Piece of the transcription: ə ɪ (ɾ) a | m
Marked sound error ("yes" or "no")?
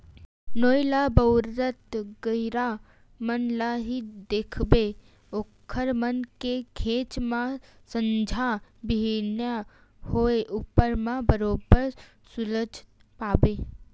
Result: no